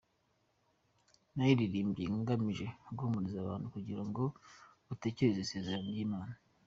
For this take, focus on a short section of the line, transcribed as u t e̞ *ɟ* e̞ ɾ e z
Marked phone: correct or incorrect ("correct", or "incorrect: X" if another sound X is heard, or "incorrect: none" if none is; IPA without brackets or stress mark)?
incorrect: c